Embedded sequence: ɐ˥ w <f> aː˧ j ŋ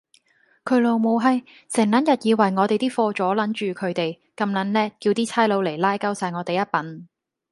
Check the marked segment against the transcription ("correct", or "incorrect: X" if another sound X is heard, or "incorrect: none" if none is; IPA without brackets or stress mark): incorrect: s